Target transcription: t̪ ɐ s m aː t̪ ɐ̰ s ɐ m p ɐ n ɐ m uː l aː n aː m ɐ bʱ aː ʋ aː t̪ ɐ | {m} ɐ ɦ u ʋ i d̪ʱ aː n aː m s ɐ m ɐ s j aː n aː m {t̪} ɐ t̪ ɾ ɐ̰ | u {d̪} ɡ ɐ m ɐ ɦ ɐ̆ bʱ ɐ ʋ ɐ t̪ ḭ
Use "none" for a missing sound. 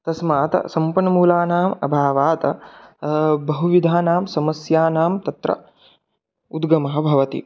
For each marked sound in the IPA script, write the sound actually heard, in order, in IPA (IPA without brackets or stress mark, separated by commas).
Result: b, t̪, d̪